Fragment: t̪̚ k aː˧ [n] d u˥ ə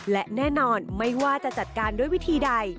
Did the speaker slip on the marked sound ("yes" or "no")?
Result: no